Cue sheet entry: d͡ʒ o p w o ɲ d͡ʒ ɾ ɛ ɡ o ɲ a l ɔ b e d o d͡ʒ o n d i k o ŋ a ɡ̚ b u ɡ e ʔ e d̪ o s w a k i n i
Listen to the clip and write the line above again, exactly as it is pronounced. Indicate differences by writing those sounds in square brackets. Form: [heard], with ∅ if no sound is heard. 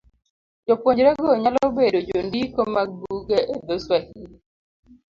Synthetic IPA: d͡ʒ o p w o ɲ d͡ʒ ɾ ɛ ɡ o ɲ a l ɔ b e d o d͡ʒ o n d i k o [m] a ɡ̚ b u ɡ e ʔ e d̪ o s w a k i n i